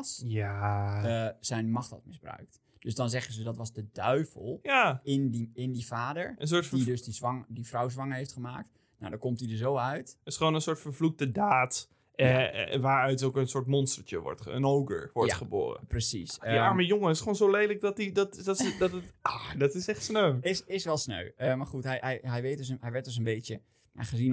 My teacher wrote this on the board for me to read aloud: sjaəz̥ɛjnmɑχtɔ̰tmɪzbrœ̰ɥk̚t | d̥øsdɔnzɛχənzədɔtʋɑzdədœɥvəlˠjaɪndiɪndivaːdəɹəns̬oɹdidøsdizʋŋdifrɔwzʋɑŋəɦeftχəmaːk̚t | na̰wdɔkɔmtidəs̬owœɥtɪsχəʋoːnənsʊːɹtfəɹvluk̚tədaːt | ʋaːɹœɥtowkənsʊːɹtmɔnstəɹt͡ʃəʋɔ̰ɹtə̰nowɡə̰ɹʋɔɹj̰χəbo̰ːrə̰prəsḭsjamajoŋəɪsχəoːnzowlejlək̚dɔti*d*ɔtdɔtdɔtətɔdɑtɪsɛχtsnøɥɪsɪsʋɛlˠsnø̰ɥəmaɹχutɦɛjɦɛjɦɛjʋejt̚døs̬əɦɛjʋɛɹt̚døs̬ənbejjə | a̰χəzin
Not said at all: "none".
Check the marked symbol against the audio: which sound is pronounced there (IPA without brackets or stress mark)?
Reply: d